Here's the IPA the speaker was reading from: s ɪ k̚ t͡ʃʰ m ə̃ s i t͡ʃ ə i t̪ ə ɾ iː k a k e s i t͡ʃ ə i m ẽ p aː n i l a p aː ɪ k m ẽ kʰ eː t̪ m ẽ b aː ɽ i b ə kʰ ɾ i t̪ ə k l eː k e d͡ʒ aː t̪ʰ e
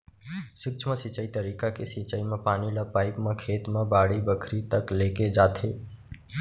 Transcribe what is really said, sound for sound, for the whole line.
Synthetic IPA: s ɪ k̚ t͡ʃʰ m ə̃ s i t͡ʃ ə i t̪ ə ɾ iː k a k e s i t͡ʃ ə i m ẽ p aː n i l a p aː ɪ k m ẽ kʰ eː t̪ m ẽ b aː ɽ i b ə kʰ ɾ i t̪ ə k l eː k e d͡ʒ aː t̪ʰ e